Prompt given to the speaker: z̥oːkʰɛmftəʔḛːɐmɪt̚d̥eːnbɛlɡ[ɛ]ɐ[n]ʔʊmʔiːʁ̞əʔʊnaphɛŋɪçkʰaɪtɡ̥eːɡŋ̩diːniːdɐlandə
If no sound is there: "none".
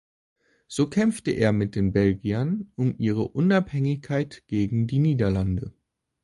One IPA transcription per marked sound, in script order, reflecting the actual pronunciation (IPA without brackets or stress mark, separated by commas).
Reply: i, n